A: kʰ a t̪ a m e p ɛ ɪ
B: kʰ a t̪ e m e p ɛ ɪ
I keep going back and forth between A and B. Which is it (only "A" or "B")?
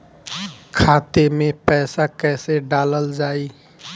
B